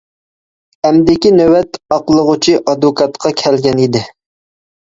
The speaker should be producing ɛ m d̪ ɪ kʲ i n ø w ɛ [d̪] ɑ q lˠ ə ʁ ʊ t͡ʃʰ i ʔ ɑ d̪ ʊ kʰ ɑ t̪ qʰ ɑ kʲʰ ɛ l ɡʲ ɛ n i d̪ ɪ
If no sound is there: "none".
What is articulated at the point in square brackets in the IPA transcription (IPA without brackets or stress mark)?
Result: t̪